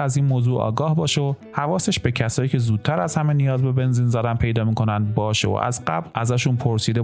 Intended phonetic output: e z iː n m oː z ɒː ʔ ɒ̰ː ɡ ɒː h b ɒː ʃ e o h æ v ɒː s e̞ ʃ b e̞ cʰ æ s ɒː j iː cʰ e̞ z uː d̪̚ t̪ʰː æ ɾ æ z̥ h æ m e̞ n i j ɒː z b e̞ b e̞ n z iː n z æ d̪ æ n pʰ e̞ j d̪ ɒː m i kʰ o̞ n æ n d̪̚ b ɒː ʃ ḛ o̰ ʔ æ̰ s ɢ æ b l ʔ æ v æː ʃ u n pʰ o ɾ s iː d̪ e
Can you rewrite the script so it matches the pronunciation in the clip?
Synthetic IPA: æ z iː n m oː z uː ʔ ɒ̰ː ɡ ɒː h b ɒː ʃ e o h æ v ɒː s e̞ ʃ b e̞ cʰ æ s ɒː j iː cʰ e̞ z uː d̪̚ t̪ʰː æ ɾ æ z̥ h æ m e̞ n i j ɒː z b e̞ b e̞ n z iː n z æ d̪ æ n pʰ e̞ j d̪ ɒː m i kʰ o̞ n æ n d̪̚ b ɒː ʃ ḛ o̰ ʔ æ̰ z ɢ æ b l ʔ æ z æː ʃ u n pʰ o ɾ s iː d̪ e